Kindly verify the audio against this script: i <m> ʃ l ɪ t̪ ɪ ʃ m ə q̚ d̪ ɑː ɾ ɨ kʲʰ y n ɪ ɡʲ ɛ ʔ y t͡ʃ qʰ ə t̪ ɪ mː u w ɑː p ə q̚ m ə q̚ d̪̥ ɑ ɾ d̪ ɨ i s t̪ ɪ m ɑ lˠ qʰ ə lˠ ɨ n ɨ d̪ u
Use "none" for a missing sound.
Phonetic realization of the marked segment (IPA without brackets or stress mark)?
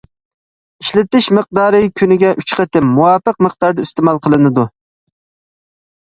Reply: none